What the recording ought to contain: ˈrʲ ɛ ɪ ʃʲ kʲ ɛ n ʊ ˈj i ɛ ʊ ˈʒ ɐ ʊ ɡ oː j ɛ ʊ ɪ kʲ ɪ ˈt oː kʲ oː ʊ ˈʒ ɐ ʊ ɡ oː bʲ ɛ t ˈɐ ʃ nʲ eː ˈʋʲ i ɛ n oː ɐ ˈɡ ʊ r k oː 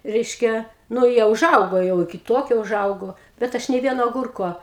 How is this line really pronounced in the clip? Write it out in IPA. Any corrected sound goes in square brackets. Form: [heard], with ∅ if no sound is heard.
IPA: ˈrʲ ɛ ɪ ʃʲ kʲ ɛ n ʊ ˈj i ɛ ʊ ˈʒ ɐ ʊ ɡ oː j ɛ ʊ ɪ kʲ ɪ ˈt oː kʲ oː ʊ ˈʒ ɐ ʊ ɡ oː bʲ ɛ t ˈɐ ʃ nʲ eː ˈʋʲ i ɛ n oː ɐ ˈɡ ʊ r k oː